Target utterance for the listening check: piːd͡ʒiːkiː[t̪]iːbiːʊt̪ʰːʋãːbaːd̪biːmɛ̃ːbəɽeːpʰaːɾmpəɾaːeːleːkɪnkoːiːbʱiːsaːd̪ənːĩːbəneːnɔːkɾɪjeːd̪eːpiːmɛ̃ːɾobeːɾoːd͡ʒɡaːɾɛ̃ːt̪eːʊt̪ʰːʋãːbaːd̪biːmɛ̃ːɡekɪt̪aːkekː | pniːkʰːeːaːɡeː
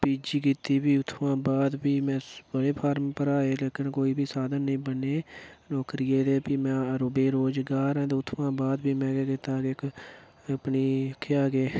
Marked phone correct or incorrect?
correct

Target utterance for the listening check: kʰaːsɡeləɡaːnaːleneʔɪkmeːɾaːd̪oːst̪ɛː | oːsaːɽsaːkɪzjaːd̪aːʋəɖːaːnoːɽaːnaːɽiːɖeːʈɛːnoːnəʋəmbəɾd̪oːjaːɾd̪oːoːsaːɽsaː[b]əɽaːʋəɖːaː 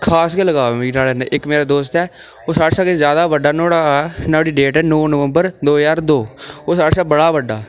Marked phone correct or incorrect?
correct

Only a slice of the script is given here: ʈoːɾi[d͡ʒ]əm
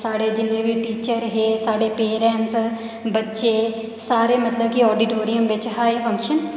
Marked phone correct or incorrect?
incorrect: none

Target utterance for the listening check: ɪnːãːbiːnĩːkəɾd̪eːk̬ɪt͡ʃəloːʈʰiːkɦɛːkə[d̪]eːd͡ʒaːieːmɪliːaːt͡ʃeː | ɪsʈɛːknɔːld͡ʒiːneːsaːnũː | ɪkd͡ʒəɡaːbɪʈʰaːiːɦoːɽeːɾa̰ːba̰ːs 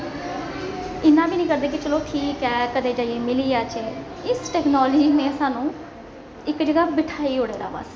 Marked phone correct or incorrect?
correct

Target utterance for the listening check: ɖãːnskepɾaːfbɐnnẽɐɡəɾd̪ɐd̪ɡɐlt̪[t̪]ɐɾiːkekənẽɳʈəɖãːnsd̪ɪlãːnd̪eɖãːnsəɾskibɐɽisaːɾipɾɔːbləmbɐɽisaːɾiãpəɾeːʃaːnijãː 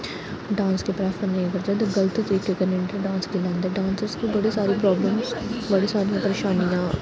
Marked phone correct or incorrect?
correct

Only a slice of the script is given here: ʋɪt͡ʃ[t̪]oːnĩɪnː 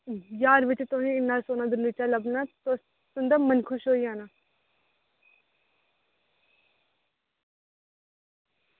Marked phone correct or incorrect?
correct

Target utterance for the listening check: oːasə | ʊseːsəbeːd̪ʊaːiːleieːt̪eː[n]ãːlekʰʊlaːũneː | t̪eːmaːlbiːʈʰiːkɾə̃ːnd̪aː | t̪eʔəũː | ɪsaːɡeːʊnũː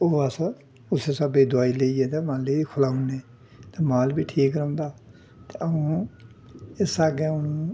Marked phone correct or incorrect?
incorrect: m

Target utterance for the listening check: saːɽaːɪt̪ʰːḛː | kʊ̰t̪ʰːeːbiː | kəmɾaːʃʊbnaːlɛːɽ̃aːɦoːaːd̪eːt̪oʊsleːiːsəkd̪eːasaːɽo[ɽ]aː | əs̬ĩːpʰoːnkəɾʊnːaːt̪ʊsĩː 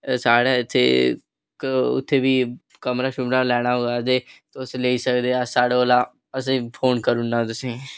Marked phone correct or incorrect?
incorrect: l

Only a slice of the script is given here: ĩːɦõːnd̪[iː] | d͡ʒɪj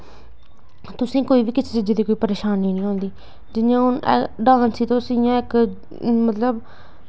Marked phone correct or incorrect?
correct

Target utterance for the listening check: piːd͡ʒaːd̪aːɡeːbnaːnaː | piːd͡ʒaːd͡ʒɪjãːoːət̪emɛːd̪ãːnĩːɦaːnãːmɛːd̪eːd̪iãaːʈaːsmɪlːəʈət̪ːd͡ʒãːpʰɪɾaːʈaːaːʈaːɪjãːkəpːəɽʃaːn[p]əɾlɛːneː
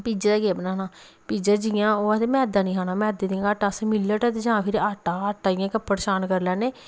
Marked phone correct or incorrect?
incorrect: k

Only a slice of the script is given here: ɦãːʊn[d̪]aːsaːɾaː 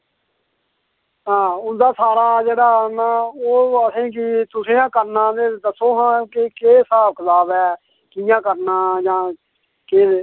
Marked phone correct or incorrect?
correct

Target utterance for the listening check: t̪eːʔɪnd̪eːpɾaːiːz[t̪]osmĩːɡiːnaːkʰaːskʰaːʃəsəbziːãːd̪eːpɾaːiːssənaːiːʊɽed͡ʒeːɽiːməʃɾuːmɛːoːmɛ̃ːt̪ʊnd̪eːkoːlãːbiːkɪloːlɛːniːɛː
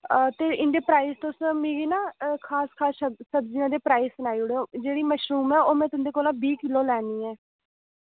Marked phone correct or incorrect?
correct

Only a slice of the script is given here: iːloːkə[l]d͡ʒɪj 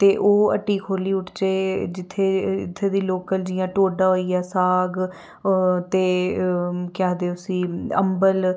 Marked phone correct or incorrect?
correct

